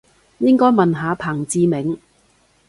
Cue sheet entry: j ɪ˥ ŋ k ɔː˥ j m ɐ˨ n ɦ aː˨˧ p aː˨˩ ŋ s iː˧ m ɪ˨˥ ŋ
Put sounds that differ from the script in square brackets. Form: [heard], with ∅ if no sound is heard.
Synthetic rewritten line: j ɪ˥ ŋ k ɔː˥ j m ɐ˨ n ɦ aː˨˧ [pʰ] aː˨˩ ŋ [t͡s] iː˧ m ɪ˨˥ ŋ